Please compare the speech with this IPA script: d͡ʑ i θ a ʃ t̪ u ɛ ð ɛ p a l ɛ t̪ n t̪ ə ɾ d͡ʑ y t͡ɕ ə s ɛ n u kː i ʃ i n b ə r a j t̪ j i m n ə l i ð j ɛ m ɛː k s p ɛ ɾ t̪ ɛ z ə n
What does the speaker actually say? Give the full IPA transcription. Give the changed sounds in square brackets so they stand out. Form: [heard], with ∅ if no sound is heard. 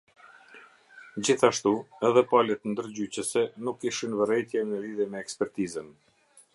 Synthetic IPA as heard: d͡ʑ i θ a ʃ t̪ u ɛ ð ɛ p a l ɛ t̪ n [d̪] ə ɾ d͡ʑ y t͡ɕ ə s ɛ n u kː i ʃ i n [v] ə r [ɛ] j t̪ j [ɛ] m n ə l i ð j ɛ m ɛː k s p ɛ ɾ t̪ [i] z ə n